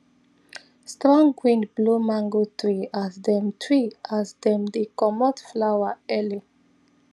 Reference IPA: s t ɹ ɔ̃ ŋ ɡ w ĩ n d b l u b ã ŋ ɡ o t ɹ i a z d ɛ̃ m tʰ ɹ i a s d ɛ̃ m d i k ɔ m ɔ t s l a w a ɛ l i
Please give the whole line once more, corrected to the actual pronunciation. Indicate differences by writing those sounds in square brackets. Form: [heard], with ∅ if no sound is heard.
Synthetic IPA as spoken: s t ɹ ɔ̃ ŋ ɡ w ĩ n d b l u [m] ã ŋ ɡ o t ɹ i a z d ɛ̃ m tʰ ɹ i a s d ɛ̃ m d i k ɔ m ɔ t [f] l a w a ɛ l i